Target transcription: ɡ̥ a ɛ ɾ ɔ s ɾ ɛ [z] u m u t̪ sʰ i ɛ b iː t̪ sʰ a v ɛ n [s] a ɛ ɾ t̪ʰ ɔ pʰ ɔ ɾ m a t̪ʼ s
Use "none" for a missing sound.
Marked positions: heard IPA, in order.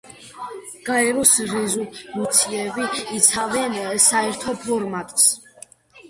z, s

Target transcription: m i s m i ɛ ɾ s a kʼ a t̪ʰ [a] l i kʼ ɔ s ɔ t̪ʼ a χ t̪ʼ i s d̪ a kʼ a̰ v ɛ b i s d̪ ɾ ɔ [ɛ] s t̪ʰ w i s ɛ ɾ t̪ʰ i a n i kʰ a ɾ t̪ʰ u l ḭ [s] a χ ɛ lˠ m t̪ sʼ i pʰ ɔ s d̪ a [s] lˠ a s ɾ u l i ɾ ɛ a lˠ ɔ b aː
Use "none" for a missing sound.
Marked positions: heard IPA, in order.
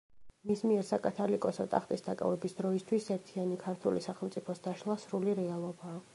a, i, s, ʃ

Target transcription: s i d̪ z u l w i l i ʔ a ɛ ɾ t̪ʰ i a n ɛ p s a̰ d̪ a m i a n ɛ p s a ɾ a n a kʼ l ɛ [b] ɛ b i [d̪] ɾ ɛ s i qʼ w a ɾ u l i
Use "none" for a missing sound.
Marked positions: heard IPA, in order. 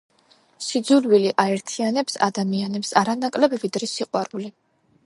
b, d̪

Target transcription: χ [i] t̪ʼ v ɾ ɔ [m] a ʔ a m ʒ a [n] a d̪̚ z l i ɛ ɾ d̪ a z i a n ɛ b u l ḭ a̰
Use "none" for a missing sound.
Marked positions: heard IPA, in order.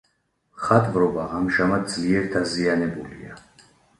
a, b, m

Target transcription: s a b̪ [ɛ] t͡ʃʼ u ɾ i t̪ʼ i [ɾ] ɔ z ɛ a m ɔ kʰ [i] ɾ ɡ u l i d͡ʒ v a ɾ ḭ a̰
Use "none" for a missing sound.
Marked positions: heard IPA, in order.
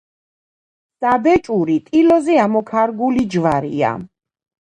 ɛ, l, a

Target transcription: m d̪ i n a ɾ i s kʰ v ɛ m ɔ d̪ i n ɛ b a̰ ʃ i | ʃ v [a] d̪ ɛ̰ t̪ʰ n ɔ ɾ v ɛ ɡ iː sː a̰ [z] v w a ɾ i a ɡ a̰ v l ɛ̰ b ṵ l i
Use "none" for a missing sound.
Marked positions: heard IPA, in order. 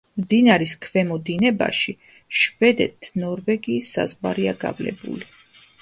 ɛ, z

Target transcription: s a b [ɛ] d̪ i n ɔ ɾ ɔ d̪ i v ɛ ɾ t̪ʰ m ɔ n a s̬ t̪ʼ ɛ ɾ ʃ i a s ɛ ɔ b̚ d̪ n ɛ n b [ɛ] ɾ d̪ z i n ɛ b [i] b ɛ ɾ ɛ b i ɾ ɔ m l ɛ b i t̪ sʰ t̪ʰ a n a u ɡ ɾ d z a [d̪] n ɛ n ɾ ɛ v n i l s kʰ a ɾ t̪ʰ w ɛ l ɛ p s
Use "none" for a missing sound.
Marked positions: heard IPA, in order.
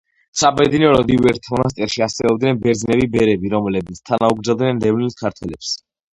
ɛ, ɛ, i, d̪

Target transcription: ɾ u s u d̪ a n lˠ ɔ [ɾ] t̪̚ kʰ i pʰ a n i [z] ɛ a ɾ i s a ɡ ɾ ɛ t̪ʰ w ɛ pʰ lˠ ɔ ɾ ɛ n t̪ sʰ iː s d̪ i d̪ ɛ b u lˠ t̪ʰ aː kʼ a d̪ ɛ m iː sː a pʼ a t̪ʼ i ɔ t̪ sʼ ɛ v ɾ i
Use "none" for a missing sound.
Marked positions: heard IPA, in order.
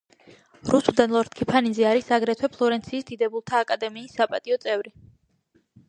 ɾ, z

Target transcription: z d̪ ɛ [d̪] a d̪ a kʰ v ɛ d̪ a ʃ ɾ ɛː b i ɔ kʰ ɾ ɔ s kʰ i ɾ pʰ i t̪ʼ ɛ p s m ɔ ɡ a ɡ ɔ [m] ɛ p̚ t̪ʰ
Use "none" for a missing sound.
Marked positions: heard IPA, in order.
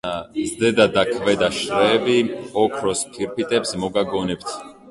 d̪, n

